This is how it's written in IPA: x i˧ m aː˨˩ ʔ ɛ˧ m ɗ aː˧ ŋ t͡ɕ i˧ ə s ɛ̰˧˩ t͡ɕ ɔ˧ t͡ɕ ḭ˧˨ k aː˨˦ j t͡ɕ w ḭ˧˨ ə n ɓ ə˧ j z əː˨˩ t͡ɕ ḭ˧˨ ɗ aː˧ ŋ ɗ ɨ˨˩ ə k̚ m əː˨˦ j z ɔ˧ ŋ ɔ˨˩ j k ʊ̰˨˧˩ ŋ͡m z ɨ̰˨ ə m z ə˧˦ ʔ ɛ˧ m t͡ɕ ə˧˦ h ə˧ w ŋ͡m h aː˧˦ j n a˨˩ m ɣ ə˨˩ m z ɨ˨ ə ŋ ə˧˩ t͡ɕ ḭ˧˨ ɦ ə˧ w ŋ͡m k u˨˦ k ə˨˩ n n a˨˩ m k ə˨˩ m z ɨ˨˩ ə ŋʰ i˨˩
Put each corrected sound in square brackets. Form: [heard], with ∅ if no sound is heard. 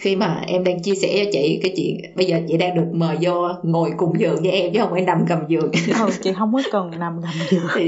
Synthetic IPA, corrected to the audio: x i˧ m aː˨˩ ʔ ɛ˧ m ɗ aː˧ ŋ t͡ɕ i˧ ə s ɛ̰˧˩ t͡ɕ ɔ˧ t͡ɕ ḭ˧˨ k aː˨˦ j t͡ɕ w ḭ˧˨ ə n ɓ ə˧ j z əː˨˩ t͡ɕ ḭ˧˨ ɗ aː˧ ŋ ɗ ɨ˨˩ ə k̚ m [əː˨˩] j z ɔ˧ ŋ [o˨˩] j k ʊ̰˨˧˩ ŋ͡m z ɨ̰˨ ə [ŋ] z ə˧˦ ʔ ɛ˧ m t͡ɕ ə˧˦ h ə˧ w ŋ͡m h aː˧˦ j n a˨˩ m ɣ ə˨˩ m z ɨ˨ ə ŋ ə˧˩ t͡ɕ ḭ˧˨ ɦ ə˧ w ŋ͡m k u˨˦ k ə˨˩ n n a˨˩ m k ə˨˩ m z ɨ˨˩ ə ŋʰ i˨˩